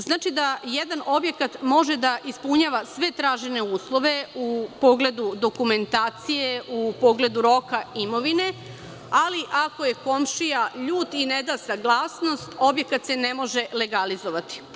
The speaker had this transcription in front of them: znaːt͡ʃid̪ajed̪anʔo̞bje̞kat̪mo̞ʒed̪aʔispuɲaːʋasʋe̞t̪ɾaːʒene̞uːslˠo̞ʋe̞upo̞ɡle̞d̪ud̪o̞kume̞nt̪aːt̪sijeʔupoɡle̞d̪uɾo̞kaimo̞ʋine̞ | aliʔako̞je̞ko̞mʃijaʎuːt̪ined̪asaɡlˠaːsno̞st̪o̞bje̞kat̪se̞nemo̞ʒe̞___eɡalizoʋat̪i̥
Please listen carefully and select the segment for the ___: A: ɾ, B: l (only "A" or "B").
B